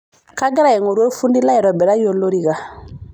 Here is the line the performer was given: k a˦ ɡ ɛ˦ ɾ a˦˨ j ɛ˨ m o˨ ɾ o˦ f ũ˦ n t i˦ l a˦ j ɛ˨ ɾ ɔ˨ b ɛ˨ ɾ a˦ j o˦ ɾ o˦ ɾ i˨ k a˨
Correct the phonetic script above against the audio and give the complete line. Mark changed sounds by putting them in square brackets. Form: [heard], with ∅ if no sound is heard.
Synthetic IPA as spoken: k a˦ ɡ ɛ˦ ɾ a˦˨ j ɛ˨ [ŋ] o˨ ɾ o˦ f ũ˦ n [d] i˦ l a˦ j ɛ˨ ɾ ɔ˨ b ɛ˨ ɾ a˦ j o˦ [l] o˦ ɾ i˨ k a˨